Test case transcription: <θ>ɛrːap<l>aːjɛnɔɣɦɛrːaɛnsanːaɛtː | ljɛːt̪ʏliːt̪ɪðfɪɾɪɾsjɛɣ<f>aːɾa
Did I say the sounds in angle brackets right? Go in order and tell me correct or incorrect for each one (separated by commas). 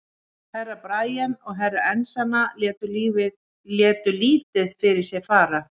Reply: incorrect, incorrect, correct